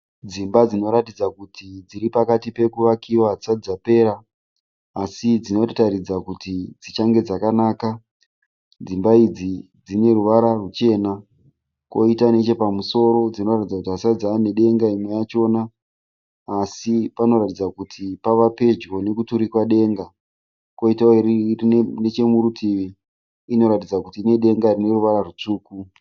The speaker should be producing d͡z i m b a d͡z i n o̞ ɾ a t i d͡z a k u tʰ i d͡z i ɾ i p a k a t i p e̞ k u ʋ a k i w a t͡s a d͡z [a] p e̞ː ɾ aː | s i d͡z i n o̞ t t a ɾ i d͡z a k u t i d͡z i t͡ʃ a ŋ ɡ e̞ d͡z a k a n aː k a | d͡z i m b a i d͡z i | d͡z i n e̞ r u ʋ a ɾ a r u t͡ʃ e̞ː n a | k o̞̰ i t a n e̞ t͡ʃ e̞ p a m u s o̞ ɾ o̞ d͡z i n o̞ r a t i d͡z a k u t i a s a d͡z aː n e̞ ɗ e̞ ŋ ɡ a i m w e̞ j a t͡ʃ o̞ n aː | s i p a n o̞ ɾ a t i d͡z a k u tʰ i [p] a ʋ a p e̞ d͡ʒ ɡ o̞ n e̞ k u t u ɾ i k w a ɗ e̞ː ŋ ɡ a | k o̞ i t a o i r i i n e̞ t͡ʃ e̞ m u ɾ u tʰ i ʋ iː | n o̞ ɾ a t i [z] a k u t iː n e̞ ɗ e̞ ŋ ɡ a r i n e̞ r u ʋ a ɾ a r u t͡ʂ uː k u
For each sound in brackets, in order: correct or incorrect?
correct, correct, incorrect: d͡z

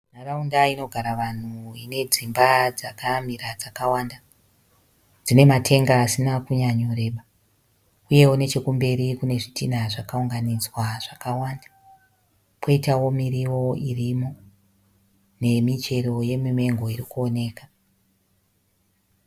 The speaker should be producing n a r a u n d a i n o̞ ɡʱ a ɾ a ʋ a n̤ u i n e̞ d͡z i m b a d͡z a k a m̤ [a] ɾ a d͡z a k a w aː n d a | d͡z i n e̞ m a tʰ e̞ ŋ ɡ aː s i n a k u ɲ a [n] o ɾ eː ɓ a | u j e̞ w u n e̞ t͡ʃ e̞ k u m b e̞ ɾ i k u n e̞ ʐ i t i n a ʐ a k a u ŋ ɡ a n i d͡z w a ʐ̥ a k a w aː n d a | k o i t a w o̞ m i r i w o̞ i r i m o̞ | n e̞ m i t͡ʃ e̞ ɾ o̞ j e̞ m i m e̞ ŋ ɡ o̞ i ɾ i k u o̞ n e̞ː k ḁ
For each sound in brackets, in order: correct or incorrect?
incorrect: i, incorrect: ɲ

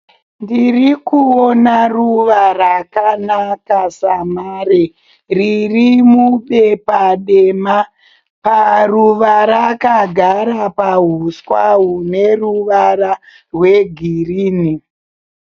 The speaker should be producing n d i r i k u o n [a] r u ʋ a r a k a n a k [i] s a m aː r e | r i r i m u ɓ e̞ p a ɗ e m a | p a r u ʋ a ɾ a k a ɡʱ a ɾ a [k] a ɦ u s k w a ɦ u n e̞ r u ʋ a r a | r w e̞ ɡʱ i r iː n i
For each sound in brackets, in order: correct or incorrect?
correct, incorrect: a, incorrect: p

